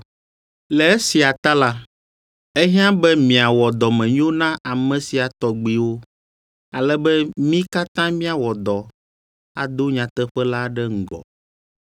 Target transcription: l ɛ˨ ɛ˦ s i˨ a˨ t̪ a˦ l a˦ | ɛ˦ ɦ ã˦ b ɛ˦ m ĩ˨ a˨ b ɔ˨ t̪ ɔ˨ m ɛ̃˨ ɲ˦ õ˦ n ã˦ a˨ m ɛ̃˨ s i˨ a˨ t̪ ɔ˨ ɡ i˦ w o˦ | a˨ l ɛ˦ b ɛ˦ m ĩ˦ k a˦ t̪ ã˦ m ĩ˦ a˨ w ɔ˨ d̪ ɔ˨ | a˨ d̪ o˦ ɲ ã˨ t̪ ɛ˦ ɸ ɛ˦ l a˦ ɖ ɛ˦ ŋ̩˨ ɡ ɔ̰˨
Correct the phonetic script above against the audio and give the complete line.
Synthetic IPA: l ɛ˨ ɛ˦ s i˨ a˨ t̪ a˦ l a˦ | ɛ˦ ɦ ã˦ b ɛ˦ m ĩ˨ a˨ w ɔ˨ d̪ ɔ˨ m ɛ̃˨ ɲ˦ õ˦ n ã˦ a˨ m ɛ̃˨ s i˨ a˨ t̪ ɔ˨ ɡ͡b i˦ w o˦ | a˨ l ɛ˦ b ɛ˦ m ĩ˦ k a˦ t̪ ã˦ m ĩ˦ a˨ w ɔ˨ d̪ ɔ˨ | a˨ d̪ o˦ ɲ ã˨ t̪ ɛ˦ ɸ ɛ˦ l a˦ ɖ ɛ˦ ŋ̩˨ ɡ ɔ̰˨